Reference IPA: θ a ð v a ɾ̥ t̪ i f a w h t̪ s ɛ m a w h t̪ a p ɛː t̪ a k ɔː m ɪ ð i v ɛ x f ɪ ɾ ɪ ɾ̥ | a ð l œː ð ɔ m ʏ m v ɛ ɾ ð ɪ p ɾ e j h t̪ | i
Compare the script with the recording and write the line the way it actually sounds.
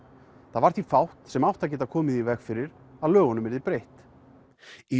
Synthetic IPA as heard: θ a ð v a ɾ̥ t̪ i f a w h t̪ s ɛ m a w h t̪ a c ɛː t̪ a kʰ ɔː m ɪ ð i v ɛ x f ɪ ɾ ɪ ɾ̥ | a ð l œː ɣ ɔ n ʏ m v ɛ ɾ ð ɪ p ɾ e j h t̪ | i